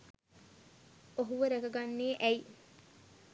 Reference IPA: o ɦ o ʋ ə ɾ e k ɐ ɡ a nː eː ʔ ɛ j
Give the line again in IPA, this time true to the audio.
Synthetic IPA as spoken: o ɦ u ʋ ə ɾ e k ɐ ɡ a nː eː ʔ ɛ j